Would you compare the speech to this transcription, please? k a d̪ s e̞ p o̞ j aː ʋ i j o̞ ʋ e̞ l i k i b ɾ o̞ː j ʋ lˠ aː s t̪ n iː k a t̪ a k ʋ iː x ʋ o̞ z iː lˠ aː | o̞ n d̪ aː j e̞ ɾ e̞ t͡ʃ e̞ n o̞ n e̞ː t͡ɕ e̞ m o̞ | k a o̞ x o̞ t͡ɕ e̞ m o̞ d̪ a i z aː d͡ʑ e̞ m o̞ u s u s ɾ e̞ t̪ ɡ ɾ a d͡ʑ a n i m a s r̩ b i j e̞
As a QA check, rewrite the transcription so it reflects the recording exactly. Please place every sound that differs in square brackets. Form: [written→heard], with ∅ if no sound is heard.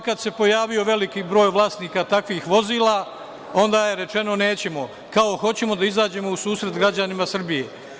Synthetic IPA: k a d̪ s e̞ p o̞ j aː ʋ i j o̞ ʋ e̞ l i k i b ɾ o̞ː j ʋ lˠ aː s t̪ n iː k a t̪ a k ʋ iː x ʋ o̞ z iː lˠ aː | o̞ n d̪ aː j e̞ ɾ e̞ t͡ʃ e̞ n o̞ n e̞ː t͡ɕ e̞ m o̞ | k a o̞ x o̞ t͡ɕ e̞ m o̞ d̪ a i z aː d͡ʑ e̞ m o̞ u s [u→uː] s ɾ e̞ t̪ ɡ ɾ a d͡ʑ a n i m a s r̩ b i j e̞